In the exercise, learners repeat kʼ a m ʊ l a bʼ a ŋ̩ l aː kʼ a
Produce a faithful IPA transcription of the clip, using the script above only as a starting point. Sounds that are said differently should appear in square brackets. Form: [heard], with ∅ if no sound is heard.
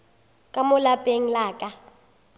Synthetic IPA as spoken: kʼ a m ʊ l a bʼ [e] ŋ̩ l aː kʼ a

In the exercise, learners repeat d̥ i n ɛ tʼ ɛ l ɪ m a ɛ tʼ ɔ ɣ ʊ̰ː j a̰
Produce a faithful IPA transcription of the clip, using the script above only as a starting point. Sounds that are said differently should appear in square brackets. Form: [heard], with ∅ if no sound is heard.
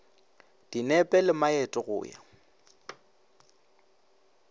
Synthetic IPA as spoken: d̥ i n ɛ [pʼ] ɛ l ɪ m a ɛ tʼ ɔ ɣ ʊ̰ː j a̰

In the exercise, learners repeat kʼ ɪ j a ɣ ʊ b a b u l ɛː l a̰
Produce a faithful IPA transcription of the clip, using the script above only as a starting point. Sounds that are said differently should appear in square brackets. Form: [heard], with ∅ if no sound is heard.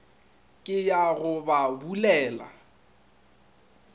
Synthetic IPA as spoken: kʼ ɪ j a ɣ ʊ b a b u l ɛː l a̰

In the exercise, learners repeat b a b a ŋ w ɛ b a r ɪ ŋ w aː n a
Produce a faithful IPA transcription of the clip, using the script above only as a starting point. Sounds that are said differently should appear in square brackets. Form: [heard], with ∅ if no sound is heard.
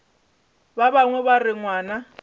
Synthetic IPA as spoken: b a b a ŋ w ɛ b a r ɪ ŋ w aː n a

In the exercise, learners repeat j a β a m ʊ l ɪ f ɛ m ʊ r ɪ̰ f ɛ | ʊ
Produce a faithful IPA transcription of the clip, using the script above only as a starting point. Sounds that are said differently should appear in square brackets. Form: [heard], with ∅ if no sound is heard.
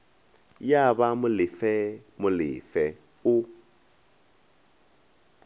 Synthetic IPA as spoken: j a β a m ʊ l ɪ f ɛ m ʊ [l] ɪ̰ f ɛ | ʊ

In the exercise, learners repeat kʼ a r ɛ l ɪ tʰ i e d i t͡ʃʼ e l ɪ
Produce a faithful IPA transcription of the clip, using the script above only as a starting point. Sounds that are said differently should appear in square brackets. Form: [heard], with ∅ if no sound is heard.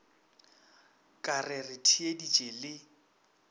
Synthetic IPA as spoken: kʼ a r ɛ [r] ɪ tʰ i e d i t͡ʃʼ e l ɪ

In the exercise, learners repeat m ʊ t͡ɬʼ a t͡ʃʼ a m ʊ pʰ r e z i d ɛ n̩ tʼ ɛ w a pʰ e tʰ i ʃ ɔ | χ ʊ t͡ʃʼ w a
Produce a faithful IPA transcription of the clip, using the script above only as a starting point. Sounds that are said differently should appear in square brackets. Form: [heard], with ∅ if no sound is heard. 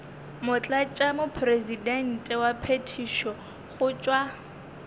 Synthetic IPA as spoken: m ʊ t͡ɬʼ a t͡ʃʼ a m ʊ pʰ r e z i d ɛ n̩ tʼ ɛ w a pʰ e tʰ i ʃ ɔ | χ ʊ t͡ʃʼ w a

